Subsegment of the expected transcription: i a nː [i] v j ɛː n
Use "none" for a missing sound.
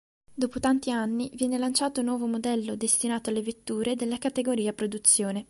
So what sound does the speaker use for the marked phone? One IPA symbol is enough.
i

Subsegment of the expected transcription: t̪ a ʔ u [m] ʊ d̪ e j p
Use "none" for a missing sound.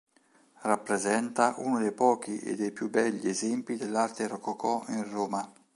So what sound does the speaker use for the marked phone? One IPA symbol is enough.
n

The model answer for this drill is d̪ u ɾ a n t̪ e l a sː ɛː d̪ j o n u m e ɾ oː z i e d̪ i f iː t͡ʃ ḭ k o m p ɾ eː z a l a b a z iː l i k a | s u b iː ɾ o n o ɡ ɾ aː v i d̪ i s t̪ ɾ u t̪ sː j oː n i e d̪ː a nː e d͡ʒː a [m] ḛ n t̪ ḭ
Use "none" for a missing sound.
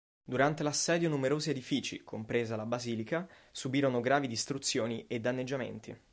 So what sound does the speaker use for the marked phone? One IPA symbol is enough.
m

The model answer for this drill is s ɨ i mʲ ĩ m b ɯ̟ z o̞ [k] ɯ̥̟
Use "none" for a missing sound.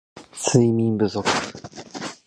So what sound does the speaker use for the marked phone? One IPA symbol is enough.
k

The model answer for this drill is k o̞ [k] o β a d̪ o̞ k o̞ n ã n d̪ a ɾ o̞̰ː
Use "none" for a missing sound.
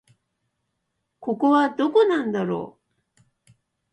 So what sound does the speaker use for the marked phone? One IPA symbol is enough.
k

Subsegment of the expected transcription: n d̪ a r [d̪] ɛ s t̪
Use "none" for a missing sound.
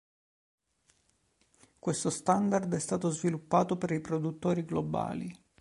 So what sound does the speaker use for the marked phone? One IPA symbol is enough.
d̪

